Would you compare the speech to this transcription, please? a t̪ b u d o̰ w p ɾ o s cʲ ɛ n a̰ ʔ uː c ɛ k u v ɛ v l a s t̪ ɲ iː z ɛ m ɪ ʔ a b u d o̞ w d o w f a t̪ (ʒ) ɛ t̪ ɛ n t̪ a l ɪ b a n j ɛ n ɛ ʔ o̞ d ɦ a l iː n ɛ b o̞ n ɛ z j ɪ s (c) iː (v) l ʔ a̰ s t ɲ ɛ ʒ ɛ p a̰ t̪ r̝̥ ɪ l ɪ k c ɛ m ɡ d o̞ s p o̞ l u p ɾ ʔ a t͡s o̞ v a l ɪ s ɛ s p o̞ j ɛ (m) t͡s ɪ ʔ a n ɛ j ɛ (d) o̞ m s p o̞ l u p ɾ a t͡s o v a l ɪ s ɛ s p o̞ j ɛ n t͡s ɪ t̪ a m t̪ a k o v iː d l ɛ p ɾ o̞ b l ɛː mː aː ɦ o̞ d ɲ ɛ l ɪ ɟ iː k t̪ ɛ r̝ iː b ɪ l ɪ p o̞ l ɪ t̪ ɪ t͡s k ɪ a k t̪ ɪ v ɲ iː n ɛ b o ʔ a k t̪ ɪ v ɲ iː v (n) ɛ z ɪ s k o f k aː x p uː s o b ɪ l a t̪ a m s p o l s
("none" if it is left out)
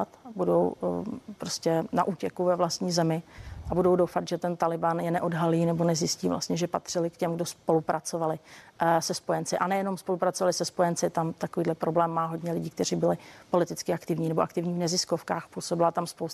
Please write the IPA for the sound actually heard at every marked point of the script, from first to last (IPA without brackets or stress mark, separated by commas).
ʒ, c, v, n, n, n